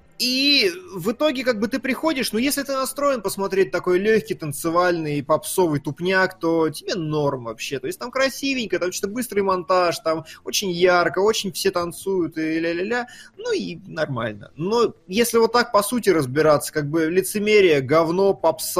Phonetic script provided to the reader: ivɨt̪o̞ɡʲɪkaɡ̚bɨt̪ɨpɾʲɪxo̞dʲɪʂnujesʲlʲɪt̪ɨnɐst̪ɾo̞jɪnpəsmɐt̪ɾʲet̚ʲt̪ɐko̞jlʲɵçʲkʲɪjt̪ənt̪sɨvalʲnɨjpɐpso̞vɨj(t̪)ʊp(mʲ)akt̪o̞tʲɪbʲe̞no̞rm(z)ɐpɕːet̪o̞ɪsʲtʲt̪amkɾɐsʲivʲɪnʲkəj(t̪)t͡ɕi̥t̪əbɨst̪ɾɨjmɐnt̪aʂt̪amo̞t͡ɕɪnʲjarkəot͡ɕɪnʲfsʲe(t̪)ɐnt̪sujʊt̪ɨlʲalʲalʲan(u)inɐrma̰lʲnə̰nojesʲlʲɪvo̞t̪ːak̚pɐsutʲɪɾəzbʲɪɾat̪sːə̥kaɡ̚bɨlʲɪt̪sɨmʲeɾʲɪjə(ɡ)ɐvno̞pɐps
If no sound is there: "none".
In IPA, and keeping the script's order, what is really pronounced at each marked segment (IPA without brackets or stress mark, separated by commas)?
t̪, nʲ, v, t̪, t̪, u, ɡ